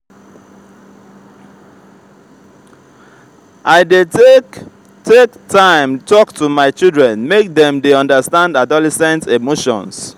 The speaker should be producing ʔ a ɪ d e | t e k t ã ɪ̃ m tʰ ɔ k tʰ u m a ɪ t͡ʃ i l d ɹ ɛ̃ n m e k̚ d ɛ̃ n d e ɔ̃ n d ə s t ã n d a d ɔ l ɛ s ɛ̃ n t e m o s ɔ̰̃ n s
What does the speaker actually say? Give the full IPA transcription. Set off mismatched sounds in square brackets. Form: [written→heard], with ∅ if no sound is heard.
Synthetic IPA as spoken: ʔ a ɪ d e | t e k t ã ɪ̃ m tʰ ɔ k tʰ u m a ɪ t͡ʃ i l d ɹ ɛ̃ n m e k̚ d ɛ̃ [n→m] d e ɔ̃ n d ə s t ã n d a d ɔ l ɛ s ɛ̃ n t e m o [s→ʃ] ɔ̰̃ n s